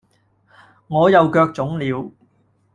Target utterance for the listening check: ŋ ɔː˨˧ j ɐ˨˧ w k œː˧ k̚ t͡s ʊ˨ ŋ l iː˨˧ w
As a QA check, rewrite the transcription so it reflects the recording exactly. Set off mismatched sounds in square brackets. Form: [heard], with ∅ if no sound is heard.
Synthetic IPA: ŋ ɔː˨˧ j ɐ˨˧ w k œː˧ k̚ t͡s [ʊ˨˥] ŋ l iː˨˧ w